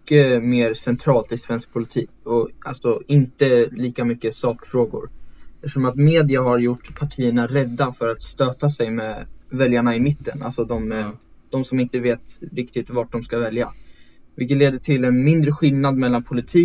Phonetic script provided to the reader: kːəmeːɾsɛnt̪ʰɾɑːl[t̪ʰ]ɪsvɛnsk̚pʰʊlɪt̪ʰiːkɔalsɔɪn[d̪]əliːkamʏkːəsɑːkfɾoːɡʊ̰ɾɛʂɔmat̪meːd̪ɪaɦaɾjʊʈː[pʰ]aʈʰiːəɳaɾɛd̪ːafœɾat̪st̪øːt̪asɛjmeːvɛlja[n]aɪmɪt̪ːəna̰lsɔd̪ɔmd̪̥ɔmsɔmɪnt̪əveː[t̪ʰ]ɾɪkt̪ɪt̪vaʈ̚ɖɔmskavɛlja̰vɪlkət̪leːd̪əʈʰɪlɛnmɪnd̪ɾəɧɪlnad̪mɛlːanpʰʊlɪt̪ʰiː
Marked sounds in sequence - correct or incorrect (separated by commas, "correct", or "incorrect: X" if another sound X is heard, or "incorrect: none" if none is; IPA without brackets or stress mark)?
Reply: incorrect: t̪, incorrect: t̪, correct, incorrect: ɳ, incorrect: t̪